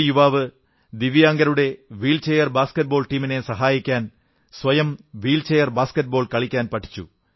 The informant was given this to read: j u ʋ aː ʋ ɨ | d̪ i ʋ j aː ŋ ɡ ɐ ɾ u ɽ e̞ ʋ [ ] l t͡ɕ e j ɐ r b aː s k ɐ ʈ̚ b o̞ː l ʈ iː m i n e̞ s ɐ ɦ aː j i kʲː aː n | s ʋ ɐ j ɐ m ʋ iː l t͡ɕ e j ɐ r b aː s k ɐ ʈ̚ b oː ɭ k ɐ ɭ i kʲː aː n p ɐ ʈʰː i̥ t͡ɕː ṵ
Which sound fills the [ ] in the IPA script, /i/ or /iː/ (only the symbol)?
iː